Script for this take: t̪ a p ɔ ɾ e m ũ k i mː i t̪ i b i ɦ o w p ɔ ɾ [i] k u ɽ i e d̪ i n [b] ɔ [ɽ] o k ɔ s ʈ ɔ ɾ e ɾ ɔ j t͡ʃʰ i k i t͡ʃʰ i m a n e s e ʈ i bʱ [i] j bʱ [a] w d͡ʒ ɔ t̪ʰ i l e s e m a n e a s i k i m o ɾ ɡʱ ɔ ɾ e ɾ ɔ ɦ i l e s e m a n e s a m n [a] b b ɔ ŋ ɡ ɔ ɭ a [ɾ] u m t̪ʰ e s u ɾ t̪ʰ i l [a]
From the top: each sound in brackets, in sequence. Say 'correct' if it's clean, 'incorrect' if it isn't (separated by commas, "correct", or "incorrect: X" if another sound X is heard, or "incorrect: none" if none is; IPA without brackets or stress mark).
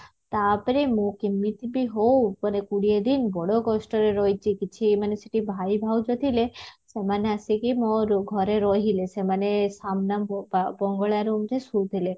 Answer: incorrect: e, correct, correct, incorrect: a, correct, correct, correct, incorrect: e